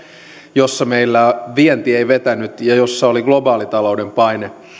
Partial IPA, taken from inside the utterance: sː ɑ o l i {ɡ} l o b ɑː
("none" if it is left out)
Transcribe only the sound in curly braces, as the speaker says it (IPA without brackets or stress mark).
ɡ